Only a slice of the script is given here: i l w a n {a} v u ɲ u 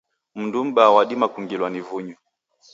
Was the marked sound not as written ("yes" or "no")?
yes